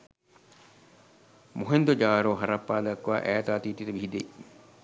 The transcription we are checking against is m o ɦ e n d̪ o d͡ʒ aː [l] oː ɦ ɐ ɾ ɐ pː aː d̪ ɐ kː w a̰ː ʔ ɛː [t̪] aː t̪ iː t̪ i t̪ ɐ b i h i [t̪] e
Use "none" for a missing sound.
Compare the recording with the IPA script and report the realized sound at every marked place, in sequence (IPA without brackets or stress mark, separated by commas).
ɾ, t̪, d̪